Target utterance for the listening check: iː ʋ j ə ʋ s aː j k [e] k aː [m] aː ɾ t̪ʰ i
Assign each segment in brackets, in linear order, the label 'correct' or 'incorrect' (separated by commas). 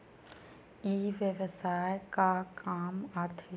incorrect, correct